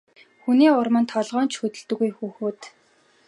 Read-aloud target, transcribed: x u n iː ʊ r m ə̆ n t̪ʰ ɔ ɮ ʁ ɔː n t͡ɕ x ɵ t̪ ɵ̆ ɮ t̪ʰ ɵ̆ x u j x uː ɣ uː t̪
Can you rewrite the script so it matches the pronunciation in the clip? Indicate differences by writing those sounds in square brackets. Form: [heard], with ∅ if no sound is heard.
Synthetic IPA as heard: x u n iː ʊ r m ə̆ n t̪ʰ ɔ ɮ ʁ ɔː n t͡ɕ x ɵ t̪ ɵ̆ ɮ [t̪] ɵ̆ [ɣ] u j x uː [x] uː t̪

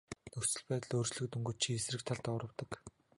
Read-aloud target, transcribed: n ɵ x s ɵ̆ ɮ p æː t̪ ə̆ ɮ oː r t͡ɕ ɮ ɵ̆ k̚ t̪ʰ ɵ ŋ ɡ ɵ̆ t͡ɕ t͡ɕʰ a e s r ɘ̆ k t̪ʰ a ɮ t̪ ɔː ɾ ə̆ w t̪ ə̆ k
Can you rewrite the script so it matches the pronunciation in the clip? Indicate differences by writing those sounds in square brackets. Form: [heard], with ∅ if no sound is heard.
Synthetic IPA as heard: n ɵ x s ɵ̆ ɮ p æː t̪ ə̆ ɮ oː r t͡ɕ ɮ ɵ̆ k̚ [t̪] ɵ ŋ ɡ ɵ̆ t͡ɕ t͡ɕʰ [i] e s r ɘ̆ k t̪ʰ a ɮ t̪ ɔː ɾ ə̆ w t̪ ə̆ k

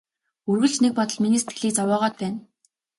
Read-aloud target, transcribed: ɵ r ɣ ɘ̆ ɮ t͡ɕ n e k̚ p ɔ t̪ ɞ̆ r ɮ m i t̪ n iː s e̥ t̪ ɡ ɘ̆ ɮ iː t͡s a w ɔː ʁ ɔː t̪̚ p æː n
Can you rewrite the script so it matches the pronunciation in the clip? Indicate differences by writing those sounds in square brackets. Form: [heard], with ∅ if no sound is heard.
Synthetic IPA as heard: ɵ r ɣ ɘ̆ ɮ t͡ɕ n e k̚ p ɔ t̪ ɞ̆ [∅] ɮ m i [∅] n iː s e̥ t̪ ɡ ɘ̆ ɮ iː t͡s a w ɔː ʁ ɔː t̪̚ p æː n

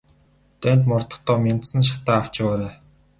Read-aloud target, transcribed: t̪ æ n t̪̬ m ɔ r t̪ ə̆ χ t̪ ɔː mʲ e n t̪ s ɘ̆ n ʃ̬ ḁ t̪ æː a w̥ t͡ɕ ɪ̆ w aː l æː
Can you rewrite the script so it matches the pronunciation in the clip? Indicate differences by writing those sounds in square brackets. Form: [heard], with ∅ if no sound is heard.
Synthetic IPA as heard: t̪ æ n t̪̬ m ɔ r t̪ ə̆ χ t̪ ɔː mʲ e n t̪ s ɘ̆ n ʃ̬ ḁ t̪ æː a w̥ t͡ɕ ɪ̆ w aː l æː

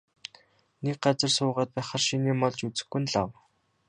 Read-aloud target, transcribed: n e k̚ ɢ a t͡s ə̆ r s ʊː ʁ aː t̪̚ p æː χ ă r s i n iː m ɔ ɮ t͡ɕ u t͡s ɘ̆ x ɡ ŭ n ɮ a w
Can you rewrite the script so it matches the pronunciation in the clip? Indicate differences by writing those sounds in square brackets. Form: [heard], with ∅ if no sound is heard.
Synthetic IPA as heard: n e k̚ ɢ a t͡s ə̆ r s ʊː ʁ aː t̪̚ p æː χ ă r [ʃ] i n iː m ɔ ɮ t͡ɕ u t͡s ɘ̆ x ɡ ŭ n ɮ a w

